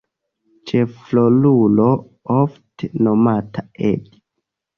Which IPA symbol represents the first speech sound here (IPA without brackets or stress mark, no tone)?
t͡ʃ